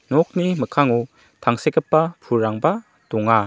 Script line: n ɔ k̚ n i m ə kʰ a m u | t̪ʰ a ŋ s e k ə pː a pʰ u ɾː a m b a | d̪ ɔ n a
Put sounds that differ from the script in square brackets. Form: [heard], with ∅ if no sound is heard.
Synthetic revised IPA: n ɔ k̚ n i m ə kʰ a [ŋ] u | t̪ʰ a ŋ s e k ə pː a pʰ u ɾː a [ŋ] b a | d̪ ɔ [ŋ] a